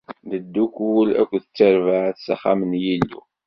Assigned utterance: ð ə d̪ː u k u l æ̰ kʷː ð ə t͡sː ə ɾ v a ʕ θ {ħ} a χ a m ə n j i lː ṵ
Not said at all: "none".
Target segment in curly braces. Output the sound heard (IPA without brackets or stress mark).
s